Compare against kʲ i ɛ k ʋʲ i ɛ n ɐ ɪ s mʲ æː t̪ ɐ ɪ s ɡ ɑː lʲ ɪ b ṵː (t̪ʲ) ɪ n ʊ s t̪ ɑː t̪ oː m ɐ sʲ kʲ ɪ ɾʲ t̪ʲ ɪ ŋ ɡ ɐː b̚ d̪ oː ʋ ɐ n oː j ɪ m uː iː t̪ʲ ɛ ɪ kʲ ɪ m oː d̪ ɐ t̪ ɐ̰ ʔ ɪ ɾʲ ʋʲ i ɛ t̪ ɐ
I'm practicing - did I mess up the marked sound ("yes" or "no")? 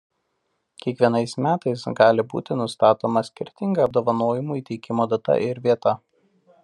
no